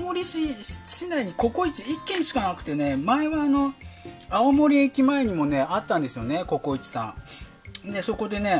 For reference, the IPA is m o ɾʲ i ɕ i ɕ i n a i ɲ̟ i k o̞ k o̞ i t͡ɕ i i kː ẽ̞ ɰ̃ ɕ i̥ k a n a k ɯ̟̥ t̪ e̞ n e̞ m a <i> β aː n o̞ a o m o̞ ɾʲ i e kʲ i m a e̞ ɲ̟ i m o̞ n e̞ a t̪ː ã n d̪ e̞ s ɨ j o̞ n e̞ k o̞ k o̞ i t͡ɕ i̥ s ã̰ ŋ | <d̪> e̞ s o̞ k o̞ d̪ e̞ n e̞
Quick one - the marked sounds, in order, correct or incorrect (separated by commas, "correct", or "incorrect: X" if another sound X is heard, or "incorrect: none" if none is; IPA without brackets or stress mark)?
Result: incorrect: e, correct